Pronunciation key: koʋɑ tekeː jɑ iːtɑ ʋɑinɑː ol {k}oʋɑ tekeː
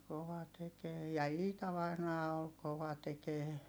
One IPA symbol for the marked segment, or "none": k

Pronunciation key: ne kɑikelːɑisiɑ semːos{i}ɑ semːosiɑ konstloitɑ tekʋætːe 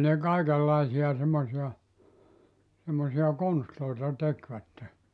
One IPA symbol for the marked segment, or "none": i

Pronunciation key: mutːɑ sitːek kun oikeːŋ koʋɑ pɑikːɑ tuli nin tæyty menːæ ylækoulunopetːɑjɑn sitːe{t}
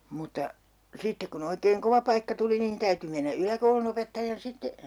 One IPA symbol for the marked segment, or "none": none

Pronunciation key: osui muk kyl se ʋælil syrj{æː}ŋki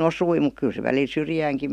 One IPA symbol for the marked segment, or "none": æː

